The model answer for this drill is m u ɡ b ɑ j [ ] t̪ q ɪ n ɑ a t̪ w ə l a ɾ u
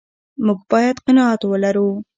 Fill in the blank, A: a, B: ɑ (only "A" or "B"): A